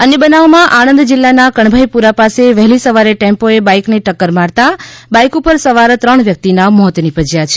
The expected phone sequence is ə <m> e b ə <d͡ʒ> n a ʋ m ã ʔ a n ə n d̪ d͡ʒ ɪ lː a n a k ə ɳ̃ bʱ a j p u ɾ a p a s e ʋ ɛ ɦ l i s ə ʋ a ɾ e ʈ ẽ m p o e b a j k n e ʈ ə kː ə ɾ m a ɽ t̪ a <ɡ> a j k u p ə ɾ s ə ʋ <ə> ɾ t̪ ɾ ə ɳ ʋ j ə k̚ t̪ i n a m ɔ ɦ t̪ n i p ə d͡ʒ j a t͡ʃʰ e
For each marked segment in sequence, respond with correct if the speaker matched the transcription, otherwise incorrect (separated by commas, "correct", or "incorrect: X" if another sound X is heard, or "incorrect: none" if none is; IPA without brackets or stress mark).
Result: incorrect: n, incorrect: none, incorrect: b, incorrect: a